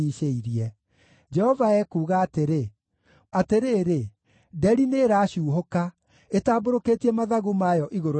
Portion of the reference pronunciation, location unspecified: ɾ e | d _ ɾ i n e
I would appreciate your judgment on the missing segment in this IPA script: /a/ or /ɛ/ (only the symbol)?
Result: ɛ